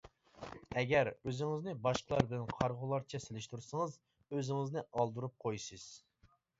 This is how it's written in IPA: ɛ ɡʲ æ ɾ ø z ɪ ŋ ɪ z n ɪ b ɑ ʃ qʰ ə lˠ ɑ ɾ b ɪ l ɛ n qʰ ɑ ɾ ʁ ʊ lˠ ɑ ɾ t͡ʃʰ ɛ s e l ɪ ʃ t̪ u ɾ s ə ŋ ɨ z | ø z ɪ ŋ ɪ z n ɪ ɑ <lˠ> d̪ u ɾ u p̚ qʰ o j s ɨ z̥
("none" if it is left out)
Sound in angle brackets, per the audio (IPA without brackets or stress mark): lˠ